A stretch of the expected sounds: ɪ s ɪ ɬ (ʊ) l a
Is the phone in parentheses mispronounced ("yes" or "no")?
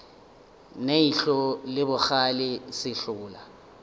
yes